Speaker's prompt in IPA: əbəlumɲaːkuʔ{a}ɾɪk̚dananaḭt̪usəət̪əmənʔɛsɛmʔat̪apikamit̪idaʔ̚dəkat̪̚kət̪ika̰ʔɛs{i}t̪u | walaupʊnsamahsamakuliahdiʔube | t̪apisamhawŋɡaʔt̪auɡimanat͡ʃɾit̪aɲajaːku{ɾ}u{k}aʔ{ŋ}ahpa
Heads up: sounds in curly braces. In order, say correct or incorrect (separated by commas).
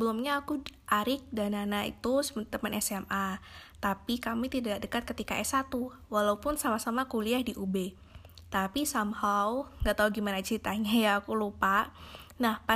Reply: correct, incorrect, incorrect, incorrect, incorrect